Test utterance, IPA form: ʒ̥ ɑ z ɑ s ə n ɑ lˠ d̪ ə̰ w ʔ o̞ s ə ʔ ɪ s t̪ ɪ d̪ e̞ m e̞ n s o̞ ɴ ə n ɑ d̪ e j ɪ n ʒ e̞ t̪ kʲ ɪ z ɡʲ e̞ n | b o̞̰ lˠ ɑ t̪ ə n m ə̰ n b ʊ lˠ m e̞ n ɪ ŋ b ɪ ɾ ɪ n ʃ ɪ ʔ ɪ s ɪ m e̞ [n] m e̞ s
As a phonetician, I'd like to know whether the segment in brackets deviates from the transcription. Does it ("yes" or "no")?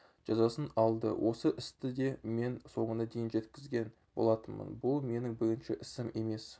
yes